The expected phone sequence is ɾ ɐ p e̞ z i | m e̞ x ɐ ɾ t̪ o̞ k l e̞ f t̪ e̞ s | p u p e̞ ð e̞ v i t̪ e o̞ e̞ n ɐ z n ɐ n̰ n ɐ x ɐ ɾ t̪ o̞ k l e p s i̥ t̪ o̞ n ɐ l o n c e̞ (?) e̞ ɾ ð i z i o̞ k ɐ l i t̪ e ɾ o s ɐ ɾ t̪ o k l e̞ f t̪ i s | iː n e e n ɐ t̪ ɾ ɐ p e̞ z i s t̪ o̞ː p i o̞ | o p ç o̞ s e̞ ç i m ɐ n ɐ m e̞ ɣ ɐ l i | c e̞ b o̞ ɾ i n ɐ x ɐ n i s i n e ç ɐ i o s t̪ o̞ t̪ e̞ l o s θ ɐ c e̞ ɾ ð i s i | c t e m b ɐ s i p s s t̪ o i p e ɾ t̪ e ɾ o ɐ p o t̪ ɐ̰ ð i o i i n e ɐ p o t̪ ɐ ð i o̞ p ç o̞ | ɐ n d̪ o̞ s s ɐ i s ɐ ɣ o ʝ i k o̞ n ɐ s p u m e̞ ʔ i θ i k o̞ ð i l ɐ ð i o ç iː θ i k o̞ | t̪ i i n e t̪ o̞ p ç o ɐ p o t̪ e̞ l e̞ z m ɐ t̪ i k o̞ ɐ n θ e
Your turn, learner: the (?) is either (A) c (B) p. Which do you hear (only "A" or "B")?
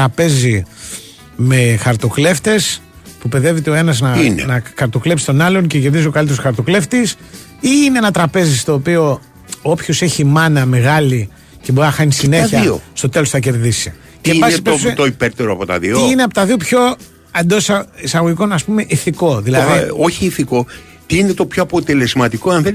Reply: A